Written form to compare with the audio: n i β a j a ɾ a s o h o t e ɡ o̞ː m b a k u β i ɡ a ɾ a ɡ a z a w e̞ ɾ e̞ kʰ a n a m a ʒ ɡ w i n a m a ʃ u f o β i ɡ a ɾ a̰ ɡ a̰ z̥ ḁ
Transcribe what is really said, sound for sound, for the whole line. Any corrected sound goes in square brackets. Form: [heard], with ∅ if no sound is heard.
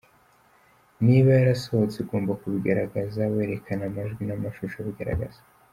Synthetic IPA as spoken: n i β a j a ɾ a s o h o [t͡s] e ɡ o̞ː m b a k u β i ɡ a ɾ a ɡ a z a w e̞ ɾ e̞ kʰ a n a m a ʒ ɡ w i n a m a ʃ u [ʃ] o β i ɡ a ɾ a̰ ɡ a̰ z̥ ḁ